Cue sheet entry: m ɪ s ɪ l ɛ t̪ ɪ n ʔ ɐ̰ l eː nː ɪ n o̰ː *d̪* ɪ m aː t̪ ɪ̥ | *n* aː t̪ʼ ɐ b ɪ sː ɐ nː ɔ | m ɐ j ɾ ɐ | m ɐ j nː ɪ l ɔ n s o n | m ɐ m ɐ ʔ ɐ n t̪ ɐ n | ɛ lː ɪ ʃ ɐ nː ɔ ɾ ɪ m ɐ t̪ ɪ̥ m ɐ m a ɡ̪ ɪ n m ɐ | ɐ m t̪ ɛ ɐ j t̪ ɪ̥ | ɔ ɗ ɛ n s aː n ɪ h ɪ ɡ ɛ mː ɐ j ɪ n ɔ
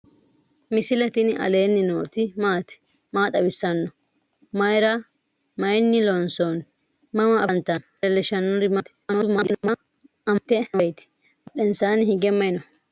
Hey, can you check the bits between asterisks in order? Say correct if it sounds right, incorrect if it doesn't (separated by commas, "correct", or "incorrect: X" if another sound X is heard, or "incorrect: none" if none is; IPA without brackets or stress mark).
incorrect: t̪, incorrect: m